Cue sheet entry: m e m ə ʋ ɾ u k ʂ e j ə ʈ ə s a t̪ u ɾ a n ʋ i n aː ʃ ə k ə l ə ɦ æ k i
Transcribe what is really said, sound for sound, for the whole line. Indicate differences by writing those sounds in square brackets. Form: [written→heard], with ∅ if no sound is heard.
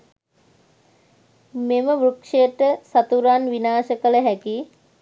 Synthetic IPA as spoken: m e m ə ʋ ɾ u k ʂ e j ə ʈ ə s a t̪ u ɾ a n ʋ i n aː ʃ ə k ə l ə ɦ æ k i